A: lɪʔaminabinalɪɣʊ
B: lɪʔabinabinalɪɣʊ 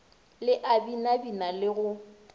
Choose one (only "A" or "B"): B